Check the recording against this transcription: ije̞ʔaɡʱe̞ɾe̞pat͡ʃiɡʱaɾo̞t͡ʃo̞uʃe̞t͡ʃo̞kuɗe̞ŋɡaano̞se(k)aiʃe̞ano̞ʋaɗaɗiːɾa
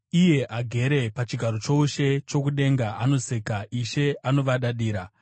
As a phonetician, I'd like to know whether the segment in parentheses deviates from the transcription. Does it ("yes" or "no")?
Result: no